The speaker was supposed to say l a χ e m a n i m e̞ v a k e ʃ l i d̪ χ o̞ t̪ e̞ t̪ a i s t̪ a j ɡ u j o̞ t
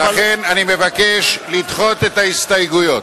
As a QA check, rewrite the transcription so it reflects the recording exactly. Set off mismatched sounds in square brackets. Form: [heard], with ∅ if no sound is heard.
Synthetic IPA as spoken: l a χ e [n] a n i m e̞ v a k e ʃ l i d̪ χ o̞ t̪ e̞ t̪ a i s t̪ a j ɡ u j o̞ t